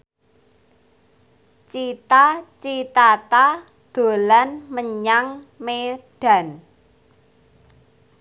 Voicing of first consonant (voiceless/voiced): voiceless